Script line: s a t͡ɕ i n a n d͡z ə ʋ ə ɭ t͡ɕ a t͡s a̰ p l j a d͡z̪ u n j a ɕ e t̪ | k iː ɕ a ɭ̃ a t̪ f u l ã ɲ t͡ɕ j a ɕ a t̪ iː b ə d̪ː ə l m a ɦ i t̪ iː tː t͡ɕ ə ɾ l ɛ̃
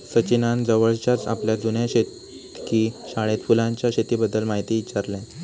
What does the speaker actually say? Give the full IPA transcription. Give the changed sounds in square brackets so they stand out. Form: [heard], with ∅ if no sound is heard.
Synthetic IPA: s [ə] t͡ɕ i n a n d͡z ə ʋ ə ɭ t͡ɕ a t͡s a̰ p l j a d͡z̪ u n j a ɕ e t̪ | k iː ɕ a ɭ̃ [e] t̪ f u l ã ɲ t͡ɕ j a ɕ [e] t̪ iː b ə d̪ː ə l m a ɦ i t̪ iː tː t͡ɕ [a] ɾ l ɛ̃

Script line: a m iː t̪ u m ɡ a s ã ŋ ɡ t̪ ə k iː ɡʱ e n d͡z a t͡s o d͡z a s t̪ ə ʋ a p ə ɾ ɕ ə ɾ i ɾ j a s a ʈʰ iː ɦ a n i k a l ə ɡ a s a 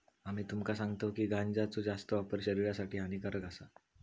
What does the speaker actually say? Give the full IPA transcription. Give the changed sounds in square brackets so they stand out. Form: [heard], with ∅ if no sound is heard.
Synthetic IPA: a m iː t̪ u m [k] a s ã ŋ ɡ t̪ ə k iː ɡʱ [a] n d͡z a t͡s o d͡z a s t̪ ə ʋ a p ə ɾ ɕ ə ɾ i ɾ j a s a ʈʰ iː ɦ a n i k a [ɾ] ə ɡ a s a

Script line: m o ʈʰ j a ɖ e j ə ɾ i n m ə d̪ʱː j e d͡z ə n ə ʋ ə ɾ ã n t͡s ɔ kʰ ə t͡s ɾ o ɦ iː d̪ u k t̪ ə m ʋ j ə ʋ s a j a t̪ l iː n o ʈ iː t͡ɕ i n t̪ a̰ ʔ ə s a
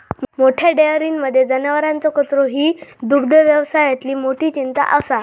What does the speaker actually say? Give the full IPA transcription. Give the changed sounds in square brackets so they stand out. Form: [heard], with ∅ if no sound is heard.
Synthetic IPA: m o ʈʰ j a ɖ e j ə ɾ i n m ə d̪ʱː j e d͡z ə n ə ʋ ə ɾ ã n t͡s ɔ [k] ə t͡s ɾ o ɦ iː d̪ u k [d̪] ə [∅] ʋ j ə ʋ s a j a t̪ l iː [m] o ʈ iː t͡ɕ i n t̪ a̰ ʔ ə s a

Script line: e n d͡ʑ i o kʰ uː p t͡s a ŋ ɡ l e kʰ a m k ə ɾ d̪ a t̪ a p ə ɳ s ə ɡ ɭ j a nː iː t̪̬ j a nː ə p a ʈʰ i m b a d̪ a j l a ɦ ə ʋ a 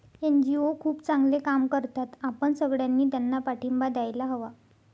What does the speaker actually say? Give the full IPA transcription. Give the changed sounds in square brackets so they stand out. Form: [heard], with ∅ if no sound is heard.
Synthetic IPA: e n d͡ʑ i o kʰ uː p t͡s a ŋ ɡ l e [k] a m k ə ɾ [t̪] a t̪ a p ə ɳ s ə ɡ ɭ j a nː iː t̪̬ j a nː [a] p a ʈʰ i m b a d̪ a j l a ɦ ə ʋ a

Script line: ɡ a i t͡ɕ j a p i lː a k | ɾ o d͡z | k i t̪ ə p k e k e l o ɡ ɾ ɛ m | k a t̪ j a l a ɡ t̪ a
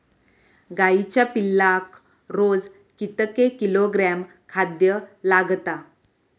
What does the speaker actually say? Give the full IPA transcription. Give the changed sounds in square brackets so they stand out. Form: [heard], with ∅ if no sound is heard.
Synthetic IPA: ɡ a i t͡ɕ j a p i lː a k | ɾ o d͡z | k i t̪ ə [∅] k e k [i] l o ɡ ɾ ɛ m | [kʰ] a [d̪] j [ə] l a ɡ t̪ a

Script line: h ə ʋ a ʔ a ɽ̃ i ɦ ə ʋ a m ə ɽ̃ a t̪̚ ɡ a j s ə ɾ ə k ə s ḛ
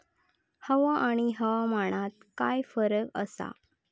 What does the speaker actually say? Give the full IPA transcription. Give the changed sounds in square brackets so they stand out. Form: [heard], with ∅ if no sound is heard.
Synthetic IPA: h ə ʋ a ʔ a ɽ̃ i ɦ ə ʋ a m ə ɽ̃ a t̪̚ [k] a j [f] ə ɾ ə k ə s [a̰]

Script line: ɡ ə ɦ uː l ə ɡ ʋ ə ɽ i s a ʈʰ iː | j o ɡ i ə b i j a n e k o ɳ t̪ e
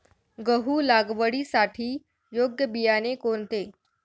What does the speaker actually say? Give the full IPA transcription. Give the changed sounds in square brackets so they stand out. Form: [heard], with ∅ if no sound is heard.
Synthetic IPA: ɡ ə ɦ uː l [a] ɡ ʋ ə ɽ i s a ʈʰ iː | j o ɡ [j] ə b i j a n e k o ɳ t̪ e

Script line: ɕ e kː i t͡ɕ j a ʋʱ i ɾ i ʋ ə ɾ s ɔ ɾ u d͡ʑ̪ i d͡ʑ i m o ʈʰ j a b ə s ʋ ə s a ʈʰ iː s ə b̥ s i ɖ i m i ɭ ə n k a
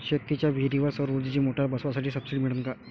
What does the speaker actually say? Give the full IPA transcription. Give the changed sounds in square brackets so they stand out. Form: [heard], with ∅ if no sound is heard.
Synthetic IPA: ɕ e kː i t͡ɕ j a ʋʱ i ɾ i ʋ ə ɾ s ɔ ɾ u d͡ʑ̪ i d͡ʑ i m o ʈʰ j a b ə s ʋ [a] s a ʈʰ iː s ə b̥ s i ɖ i m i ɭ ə n k a

